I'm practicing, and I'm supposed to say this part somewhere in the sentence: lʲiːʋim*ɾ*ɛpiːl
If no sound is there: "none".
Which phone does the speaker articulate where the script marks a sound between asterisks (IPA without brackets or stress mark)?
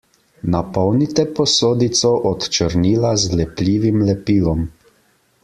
l